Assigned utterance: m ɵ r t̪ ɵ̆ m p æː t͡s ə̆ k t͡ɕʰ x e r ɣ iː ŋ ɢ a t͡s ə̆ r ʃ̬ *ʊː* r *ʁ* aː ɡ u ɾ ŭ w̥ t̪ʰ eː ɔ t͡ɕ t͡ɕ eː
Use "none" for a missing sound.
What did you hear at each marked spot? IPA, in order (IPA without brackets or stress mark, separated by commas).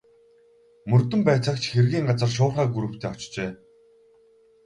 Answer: ʊː, χ